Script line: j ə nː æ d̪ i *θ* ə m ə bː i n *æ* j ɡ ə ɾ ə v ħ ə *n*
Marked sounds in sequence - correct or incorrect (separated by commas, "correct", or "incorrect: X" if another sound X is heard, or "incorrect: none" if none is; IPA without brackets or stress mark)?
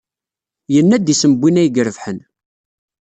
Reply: incorrect: s, correct, correct